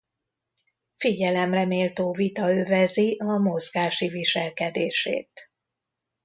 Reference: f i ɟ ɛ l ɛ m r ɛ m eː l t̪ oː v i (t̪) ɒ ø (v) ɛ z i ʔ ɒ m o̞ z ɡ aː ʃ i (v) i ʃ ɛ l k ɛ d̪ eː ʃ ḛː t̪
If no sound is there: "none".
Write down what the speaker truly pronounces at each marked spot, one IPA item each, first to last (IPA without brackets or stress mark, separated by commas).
t̪, v, v